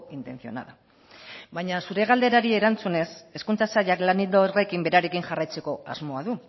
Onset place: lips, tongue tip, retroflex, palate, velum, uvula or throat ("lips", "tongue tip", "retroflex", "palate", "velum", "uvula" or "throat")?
tongue tip